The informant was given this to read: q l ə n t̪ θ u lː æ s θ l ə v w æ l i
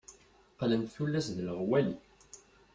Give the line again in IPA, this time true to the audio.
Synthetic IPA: q l ə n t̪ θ u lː æ s ð l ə ʁ w æ l i

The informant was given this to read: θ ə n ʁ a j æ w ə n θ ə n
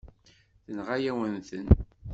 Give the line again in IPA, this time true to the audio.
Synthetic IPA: θ ə n ʁ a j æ w ə n θ ə n

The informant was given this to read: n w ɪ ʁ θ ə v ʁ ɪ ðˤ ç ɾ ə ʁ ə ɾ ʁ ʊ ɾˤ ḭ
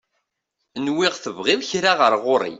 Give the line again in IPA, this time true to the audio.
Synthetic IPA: n w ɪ ʁ θ ə v ʁ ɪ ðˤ ç ɾ a ʁ ə ɾ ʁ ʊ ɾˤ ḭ

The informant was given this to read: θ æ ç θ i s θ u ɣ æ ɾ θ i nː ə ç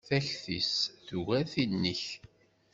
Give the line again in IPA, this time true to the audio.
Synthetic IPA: θ æ ç θ i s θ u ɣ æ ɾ θ i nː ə ç

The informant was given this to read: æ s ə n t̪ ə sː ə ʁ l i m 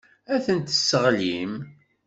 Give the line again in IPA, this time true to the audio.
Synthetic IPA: æ θ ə n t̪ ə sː ə ʁ l i m

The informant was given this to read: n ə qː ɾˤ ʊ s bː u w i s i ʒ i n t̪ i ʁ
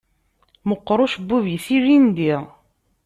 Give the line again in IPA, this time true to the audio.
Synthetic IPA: m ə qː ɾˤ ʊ ʃ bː u v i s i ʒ i n d̪ i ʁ

